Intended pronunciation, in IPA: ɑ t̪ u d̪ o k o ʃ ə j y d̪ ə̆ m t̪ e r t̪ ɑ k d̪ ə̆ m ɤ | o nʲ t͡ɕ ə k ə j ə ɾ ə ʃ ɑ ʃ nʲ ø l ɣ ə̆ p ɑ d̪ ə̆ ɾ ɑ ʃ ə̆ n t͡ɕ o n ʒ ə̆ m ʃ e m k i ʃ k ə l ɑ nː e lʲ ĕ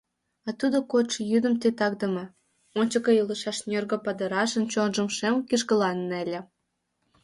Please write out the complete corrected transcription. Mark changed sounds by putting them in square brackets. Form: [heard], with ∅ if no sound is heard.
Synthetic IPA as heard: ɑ t̪ u d̪ o k o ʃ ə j y d̪ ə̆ m t̪ e [∅] t̪ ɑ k d̪ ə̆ m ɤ | o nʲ t͡ɕ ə k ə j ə [l] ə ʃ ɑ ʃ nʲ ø [r] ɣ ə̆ p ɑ d̪ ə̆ ɾ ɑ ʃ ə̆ n t͡ɕ o n ʒ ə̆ m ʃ e m k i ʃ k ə l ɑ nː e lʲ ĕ